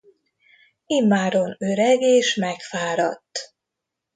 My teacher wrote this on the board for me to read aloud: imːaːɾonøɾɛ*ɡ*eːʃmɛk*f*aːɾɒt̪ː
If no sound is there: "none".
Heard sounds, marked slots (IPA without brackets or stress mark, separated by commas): ɡ, f